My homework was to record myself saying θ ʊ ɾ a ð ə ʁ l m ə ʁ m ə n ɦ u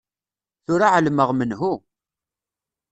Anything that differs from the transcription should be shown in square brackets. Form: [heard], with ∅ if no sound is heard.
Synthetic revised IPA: θ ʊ ɾ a [ʕ] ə [∅] l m ə ʁ m ə n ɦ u